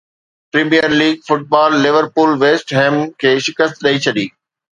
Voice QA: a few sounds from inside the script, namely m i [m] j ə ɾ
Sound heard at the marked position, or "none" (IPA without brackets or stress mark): none